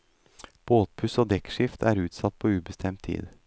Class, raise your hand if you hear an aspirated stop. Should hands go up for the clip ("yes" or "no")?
yes